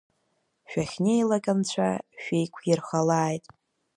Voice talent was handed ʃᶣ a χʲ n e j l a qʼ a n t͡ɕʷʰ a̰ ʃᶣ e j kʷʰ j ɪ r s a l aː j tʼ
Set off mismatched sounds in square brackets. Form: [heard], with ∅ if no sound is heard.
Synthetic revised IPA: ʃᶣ a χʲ n e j l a [kʼ] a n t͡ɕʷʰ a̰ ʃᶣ e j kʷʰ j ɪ r [χ] a l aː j tʼ